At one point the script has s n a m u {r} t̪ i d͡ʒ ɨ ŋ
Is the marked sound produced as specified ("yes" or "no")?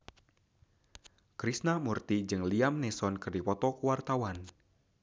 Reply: yes